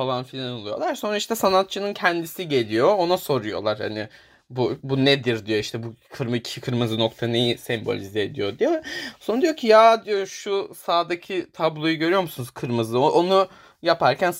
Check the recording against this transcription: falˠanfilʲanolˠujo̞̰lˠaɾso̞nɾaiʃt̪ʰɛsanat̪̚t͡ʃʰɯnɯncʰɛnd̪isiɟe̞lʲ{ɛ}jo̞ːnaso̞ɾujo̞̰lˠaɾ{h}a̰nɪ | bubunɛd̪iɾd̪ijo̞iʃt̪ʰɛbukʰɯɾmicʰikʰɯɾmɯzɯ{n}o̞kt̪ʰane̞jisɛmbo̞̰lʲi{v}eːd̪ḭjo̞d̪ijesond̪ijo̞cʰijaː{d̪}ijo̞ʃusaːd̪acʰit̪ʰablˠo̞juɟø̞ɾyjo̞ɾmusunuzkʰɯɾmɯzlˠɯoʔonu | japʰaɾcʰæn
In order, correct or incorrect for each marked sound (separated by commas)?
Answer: incorrect, correct, correct, incorrect, correct